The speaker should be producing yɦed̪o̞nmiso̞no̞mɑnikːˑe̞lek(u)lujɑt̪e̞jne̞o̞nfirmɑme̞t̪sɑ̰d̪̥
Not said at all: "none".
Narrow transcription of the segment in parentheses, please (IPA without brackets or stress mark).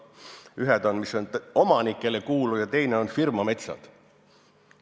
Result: uː